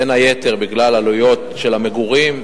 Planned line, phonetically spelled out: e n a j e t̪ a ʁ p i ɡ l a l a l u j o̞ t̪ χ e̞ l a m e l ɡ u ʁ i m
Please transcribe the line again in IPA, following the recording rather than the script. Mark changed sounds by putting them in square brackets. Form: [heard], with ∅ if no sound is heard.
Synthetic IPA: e n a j e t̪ [e] ʁ [b] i ɡ l a l a l u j o̞ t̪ [ʃ] e̞ l a m e [∅] ɡ u ʁ i m